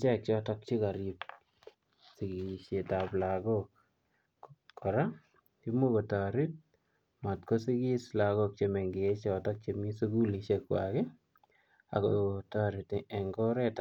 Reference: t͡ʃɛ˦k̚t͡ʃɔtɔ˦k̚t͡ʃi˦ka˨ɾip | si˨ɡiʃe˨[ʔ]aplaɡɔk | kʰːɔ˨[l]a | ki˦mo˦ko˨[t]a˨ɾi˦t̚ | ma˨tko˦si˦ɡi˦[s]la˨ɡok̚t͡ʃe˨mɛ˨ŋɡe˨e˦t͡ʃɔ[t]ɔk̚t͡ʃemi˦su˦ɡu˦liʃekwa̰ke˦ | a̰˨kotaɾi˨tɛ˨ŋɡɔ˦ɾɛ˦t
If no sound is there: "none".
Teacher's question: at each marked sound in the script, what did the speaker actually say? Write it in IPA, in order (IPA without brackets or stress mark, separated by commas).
t, ɾ, t, s, t